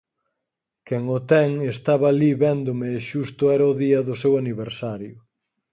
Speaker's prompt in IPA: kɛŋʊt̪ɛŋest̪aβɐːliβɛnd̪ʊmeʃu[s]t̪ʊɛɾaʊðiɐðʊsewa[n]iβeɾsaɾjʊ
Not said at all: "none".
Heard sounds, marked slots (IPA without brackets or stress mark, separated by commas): s, n